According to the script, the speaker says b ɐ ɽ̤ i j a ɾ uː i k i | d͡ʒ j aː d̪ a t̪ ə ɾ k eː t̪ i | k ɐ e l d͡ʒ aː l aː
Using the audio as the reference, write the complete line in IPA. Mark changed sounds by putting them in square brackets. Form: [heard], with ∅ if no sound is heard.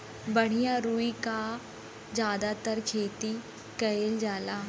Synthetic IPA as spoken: b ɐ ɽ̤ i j a ɾ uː i k [a] | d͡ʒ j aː d̪ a t̪ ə ɾ [kʰ] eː t̪ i | k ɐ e l d͡ʒ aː l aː